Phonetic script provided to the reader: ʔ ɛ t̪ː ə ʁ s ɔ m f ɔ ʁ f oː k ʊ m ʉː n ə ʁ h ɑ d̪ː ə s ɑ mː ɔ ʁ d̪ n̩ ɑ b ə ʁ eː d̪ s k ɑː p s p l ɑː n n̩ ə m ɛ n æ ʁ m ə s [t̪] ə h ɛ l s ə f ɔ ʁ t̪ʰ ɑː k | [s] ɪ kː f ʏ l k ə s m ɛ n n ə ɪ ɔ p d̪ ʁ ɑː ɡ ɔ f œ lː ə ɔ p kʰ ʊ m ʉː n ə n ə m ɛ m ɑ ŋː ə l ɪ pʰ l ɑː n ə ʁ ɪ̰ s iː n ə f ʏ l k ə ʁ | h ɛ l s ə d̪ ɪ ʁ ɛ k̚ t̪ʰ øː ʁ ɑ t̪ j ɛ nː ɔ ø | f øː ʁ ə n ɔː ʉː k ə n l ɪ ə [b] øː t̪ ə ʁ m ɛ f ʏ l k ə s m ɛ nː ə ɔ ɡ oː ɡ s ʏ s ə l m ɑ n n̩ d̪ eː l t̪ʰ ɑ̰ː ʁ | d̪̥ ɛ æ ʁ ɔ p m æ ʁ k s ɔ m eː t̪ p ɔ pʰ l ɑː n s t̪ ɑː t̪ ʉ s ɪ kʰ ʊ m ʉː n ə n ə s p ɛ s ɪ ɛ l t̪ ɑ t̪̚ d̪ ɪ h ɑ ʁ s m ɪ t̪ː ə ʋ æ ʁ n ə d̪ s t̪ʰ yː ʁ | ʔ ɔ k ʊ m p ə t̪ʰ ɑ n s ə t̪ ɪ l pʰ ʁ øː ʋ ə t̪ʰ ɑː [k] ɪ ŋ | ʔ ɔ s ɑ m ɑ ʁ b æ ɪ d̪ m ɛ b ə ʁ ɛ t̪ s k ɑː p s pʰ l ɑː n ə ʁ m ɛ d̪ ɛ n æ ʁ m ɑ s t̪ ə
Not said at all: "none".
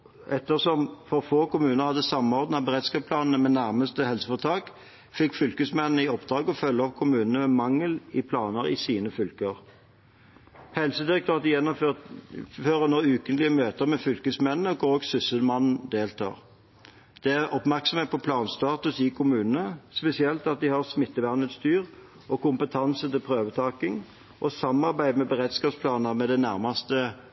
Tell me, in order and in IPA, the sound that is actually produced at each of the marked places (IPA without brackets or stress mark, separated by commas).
t̪, f, m, k